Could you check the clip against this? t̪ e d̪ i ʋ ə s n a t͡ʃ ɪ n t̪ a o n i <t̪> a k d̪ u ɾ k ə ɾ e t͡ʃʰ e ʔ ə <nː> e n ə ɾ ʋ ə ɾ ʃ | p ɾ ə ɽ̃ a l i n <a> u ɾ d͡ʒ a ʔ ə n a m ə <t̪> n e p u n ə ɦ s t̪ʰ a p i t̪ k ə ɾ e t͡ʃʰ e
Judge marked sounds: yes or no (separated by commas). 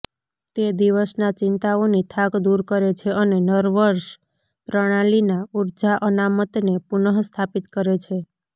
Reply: no, no, yes, yes